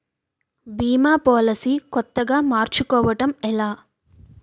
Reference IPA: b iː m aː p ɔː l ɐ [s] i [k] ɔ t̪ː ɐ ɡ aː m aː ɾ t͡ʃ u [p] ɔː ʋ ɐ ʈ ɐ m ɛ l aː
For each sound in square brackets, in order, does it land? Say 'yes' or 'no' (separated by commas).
yes, yes, no